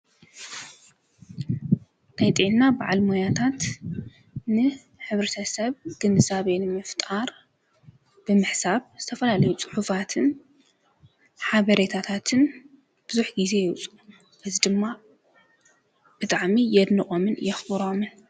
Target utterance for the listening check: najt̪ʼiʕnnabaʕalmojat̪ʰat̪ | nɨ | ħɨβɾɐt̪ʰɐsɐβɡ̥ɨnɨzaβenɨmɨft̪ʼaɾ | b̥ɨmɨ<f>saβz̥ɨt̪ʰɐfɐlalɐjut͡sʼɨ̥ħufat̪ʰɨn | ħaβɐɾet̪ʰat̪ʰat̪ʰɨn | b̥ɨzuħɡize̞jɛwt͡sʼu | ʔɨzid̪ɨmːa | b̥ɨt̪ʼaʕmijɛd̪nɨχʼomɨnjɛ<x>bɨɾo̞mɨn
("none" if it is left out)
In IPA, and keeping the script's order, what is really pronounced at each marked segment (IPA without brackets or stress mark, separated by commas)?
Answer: ħ, x